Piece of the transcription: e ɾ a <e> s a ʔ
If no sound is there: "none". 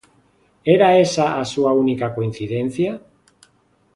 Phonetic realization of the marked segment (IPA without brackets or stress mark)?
e